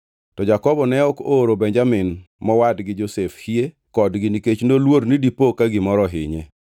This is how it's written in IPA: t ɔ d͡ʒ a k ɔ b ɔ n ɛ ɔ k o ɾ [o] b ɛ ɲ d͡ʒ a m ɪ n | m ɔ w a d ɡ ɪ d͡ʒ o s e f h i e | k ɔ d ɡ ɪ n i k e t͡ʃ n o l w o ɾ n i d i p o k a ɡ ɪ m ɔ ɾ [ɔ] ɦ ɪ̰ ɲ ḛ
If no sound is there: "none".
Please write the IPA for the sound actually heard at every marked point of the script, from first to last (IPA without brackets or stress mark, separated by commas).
o, ɔ